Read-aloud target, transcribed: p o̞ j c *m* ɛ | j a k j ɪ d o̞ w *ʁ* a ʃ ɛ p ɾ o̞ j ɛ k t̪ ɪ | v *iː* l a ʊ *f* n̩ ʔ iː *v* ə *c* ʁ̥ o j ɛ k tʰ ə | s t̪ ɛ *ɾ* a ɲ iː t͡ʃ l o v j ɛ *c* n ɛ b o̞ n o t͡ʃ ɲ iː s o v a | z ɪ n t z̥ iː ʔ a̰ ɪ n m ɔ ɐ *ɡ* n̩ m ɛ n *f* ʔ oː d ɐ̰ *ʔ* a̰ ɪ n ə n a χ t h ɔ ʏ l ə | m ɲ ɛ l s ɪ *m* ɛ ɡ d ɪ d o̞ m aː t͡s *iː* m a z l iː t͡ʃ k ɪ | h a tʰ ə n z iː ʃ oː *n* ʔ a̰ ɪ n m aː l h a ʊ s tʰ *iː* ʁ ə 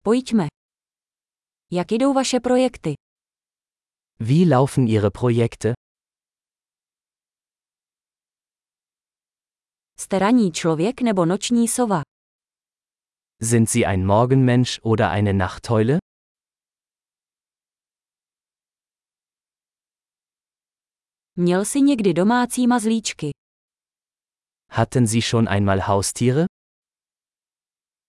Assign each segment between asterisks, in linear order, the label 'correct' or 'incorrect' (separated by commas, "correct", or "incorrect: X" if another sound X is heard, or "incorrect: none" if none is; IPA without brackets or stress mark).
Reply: correct, incorrect: v, correct, correct, incorrect: ʁ, incorrect: p, correct, incorrect: k, correct, incorrect: ʃ, correct, incorrect: ɲ, correct, correct, correct